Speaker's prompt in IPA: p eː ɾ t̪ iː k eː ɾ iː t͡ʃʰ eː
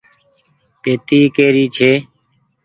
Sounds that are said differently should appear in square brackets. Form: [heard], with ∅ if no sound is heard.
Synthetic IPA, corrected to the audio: p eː [∅] t̪ iː k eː ɾ iː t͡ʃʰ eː